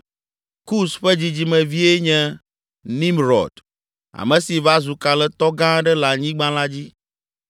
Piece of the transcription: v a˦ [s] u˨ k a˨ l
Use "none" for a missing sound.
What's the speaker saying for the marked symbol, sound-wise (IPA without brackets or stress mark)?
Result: z